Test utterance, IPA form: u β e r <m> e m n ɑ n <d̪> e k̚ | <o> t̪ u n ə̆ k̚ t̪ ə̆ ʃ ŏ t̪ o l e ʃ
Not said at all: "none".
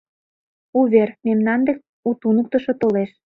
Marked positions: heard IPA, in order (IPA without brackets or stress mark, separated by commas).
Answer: m, d̪, u